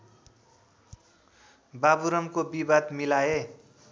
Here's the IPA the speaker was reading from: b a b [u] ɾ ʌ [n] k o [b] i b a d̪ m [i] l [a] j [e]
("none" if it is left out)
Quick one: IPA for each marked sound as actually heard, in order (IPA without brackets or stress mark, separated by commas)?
u, m, b, i, a, e